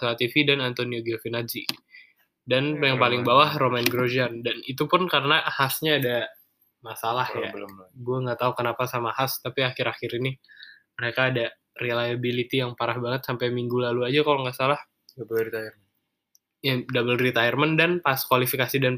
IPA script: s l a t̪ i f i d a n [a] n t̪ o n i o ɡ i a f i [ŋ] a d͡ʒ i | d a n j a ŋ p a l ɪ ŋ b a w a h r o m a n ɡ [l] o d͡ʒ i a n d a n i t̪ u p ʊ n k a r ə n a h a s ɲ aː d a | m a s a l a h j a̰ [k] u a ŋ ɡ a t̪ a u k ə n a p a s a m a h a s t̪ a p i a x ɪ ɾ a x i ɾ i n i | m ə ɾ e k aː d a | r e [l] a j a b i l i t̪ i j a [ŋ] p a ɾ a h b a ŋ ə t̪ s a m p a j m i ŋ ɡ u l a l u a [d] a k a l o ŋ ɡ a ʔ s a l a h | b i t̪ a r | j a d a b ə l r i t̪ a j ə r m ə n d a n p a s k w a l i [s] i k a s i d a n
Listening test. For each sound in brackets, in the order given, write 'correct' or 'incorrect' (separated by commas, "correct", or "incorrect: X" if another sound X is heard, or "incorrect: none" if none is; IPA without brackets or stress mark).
correct, incorrect: n, incorrect: ɾ, incorrect: ɡ, correct, correct, incorrect: d͡ʒ, incorrect: f